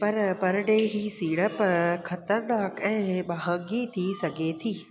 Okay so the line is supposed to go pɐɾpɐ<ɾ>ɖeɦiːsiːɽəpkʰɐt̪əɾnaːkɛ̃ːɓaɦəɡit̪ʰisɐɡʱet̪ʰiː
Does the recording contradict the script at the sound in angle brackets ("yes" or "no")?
no